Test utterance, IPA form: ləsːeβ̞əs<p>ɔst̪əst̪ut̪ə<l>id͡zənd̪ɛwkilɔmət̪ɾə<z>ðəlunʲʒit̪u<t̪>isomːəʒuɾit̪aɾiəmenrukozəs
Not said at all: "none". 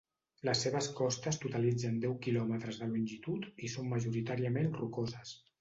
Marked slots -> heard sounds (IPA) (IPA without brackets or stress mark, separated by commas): k, l, z, t̪